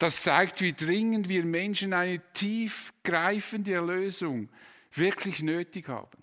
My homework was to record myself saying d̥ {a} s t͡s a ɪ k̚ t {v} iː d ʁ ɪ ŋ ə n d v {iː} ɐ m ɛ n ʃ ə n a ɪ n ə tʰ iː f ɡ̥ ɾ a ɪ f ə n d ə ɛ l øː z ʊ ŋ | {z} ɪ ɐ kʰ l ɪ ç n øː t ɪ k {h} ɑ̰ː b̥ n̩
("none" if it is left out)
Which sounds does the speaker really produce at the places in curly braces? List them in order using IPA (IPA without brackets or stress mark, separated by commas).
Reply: ɑ, v, iː, v, h